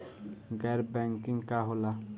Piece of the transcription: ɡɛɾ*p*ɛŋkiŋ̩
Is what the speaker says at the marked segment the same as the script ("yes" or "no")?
no